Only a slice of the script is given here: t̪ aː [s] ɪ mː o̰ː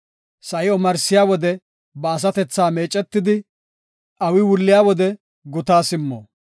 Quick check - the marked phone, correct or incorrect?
correct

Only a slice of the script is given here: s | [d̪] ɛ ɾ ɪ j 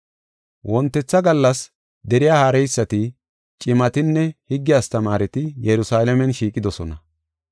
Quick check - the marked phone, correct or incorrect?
correct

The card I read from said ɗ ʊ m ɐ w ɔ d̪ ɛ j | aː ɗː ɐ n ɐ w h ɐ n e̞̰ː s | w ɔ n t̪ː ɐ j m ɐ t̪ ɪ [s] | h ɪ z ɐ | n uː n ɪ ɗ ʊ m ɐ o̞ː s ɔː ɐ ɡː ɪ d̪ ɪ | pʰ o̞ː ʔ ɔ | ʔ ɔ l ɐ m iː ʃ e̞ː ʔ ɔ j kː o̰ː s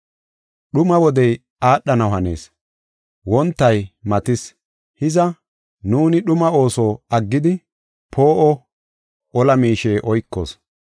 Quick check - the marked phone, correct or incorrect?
correct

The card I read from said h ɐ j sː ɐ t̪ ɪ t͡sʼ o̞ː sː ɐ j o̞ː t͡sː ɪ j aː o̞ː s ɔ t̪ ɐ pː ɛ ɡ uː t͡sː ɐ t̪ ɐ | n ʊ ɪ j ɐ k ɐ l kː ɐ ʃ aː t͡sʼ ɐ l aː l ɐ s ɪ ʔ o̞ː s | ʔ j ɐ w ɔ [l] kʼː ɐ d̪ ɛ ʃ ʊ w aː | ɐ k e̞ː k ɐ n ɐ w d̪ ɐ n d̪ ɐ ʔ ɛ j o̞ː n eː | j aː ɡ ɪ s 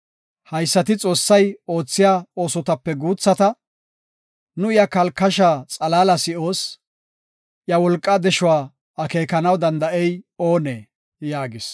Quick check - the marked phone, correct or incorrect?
correct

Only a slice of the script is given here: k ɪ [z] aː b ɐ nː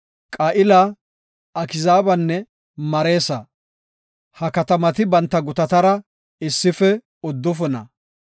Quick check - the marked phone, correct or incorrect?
correct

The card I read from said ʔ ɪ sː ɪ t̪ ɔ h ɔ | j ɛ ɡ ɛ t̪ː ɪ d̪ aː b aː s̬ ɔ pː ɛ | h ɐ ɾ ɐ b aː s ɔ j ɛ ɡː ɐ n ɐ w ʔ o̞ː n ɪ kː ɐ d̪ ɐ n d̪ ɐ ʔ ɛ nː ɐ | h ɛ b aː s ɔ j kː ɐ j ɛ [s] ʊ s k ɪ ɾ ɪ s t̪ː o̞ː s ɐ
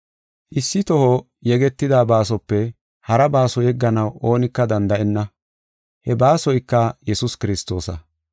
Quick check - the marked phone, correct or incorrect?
correct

